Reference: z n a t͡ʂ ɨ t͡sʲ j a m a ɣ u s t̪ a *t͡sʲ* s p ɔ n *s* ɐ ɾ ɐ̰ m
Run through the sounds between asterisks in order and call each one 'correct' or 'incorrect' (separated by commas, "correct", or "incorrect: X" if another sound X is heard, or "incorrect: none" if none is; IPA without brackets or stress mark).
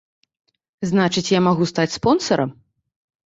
correct, correct